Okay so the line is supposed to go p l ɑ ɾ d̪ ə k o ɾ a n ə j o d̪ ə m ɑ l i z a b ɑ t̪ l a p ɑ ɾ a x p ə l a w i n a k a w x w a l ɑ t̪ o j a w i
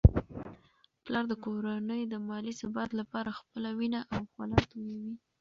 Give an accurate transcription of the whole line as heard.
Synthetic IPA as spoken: p l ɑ ɾ d̪ ə k o ɾ a n ə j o d̪ ə m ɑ l i s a b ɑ t̪ l a p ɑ ɾ a x p ə l a w i n a ʔ a w x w a l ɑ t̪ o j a w i